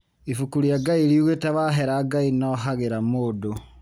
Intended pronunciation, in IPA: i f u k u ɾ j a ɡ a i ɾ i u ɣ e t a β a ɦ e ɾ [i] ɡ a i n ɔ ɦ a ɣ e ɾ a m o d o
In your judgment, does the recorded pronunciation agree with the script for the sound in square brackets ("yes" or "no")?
no